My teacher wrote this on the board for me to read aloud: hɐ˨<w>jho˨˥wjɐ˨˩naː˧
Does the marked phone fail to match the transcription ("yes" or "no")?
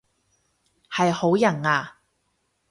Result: yes